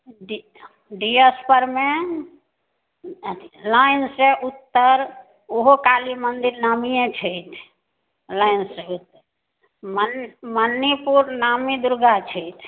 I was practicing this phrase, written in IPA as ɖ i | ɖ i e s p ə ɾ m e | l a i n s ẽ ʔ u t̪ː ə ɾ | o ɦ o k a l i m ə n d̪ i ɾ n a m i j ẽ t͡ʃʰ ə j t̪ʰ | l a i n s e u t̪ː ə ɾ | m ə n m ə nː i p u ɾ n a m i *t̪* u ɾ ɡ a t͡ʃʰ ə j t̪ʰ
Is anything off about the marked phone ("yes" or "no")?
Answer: yes